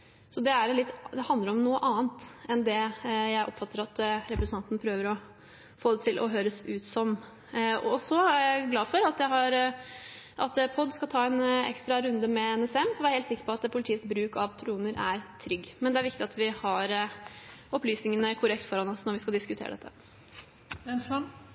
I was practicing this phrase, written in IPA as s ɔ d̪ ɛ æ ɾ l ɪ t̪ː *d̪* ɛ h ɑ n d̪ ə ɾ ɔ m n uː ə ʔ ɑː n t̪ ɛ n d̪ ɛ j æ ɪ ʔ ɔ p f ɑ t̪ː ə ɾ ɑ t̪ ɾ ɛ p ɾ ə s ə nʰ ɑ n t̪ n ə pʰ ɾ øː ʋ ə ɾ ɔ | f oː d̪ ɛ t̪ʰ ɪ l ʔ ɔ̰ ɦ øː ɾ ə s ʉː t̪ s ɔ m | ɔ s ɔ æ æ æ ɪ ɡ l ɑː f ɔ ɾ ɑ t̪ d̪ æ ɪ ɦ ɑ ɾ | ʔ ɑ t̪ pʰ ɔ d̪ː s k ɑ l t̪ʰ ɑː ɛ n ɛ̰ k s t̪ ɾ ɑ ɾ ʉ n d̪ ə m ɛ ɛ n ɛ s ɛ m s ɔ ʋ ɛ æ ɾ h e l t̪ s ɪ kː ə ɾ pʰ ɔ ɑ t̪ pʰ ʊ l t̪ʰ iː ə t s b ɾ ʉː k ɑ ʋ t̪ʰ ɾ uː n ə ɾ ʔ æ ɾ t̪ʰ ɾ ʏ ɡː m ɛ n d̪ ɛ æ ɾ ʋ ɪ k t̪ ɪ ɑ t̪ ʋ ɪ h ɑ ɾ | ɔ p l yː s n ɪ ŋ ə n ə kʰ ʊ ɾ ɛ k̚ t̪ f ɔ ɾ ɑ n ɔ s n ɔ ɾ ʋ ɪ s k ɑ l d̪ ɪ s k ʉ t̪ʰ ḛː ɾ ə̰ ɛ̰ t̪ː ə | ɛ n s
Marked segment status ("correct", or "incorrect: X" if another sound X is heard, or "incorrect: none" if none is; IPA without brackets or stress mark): correct